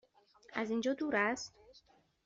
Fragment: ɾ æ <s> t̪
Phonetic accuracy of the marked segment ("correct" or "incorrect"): correct